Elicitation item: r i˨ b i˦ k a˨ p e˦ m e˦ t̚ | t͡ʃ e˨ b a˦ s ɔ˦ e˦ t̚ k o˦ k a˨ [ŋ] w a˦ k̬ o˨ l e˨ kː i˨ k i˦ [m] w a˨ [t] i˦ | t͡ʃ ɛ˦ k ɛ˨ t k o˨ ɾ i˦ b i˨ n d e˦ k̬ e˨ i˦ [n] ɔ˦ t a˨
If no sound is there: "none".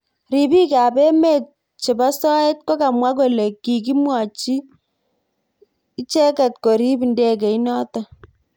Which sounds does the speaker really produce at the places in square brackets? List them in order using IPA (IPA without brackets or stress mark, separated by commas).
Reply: m, m, t͡ʃ, n